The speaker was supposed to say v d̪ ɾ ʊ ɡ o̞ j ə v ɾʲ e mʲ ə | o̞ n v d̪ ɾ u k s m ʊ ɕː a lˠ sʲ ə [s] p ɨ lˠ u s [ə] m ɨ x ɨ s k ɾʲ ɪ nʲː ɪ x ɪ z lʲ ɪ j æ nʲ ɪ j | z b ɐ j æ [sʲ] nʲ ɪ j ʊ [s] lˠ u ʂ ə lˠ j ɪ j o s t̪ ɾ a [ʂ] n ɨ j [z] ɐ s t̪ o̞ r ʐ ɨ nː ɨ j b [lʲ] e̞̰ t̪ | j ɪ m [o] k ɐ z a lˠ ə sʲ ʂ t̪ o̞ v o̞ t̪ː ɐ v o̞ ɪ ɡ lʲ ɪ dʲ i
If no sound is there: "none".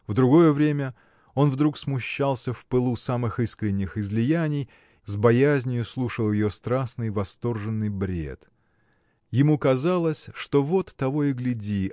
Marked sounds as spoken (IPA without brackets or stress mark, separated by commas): f, a, zʲ, s, s, v, ɾʲ, u